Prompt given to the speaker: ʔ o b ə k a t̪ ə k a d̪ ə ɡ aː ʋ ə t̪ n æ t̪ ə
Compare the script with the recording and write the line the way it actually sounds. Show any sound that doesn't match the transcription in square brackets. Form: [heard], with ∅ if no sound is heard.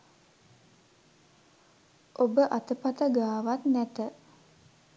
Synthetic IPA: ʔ o b ə [ʔ] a t̪ ə [p] a [t̪] ə ɡ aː ʋ [a] t̪ n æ t̪ ə

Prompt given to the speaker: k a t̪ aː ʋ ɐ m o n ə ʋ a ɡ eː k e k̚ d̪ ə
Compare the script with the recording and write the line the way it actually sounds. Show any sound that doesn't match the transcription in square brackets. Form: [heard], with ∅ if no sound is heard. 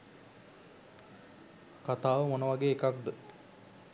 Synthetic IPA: k a t̪ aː ʋ [ə] m o n ə ʋ a ɡ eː k [a] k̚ d̪ ə

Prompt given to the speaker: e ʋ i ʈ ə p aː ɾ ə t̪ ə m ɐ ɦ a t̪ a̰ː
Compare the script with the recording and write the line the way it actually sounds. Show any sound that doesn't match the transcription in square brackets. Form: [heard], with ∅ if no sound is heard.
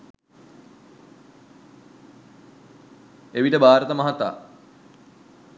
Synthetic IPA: e ʋ i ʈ ə [b] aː ɾ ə t̪ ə m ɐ ɦ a t̪ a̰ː

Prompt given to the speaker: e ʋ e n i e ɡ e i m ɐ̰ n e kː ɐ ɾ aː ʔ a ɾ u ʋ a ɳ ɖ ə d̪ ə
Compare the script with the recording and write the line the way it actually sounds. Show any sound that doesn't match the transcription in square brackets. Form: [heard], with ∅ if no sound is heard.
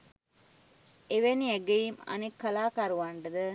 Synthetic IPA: e ʋ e n i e ɡ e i m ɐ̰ n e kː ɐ [l] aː [k] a ɾ u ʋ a ɳ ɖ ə d̪ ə

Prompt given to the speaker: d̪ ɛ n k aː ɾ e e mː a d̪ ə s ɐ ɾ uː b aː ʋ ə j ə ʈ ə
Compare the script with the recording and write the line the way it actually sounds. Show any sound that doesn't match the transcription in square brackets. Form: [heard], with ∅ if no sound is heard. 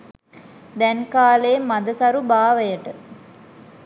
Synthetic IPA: d̪ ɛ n k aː [l] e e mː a d̪ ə s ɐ ɾ [u] b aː ʋ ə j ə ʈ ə

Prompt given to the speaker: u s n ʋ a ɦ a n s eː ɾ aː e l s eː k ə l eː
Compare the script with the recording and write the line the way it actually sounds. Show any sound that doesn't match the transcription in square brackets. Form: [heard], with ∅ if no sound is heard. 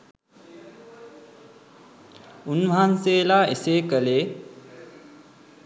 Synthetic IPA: u [∅] n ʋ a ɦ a n s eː [l] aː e [∅] s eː k ə l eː

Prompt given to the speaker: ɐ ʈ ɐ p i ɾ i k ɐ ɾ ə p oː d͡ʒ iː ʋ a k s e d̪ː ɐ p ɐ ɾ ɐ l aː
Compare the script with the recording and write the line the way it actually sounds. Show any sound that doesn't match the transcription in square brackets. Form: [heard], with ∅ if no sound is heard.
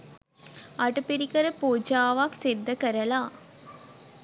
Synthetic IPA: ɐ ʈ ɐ p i ɾ i k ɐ ɾ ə p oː d͡ʒ [aː] ʋ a k s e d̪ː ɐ [k] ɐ ɾ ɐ l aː

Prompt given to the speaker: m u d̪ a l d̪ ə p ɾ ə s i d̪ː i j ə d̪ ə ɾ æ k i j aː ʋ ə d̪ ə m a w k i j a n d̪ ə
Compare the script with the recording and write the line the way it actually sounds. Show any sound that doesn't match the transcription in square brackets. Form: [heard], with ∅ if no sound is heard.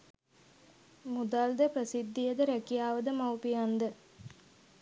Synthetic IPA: m u d̪ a l d̪ ə p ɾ ə s i d̪ː i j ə d̪ ə ɾ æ k i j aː ʋ ə d̪ ə m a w [p] i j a n d̪ ə

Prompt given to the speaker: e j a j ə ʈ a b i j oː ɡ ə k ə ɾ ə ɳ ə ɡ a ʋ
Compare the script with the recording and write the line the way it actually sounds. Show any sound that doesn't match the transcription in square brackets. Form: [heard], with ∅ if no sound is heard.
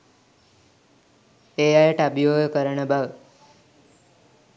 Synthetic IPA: e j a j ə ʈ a b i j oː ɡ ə k ə ɾ ə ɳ ə [b] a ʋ

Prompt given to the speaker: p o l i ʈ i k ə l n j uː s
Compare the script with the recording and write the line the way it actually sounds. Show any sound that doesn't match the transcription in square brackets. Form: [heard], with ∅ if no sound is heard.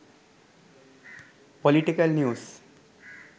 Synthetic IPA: p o l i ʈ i k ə l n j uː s

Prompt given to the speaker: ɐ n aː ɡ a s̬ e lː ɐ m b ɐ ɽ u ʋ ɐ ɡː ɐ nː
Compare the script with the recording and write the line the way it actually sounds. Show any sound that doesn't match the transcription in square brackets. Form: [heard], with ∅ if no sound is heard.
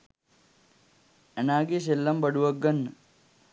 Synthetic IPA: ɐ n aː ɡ [i] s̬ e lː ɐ m b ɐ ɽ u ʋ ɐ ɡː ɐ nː

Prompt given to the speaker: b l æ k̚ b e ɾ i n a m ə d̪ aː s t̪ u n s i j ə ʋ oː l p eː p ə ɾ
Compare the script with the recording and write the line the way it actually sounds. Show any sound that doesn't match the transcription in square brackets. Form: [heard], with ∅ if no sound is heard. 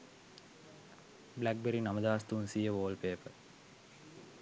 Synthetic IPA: b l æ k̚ b e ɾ i n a m ə d̪ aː s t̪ u n s i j ə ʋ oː l p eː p ə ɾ

